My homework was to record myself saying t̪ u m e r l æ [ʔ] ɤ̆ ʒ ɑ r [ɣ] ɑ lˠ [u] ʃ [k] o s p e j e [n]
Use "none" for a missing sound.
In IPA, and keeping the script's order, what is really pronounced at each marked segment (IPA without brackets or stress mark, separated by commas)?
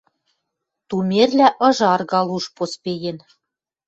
ʔ, ɣ, u, p, n